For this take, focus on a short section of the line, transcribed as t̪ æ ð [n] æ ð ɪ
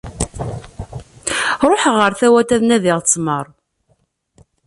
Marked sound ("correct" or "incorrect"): correct